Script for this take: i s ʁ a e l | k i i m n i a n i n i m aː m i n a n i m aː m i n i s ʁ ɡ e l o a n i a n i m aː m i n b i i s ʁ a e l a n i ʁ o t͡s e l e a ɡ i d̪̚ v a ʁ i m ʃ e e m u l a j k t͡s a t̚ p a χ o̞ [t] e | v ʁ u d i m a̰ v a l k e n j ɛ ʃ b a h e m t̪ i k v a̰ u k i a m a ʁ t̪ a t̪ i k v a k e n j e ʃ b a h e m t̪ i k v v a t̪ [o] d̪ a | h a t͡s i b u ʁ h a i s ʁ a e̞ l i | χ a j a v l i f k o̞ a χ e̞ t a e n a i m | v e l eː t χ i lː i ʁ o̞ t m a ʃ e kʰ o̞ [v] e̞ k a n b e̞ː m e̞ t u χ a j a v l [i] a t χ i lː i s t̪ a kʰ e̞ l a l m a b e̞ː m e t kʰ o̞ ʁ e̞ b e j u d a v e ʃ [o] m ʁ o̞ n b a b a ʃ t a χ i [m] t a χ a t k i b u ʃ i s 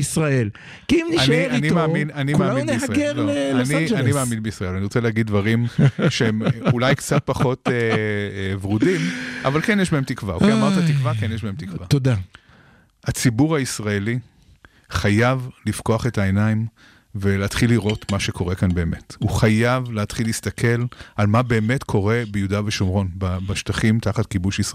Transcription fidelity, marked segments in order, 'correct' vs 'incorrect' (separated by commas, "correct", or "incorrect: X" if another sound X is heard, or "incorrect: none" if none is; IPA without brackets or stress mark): correct, correct, incorrect: ʁ, incorrect: e, correct, correct